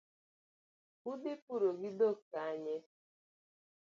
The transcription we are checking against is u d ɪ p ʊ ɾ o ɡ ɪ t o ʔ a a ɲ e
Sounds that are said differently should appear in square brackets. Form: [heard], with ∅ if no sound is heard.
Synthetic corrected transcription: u d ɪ p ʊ ɾ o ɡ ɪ [d] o [k] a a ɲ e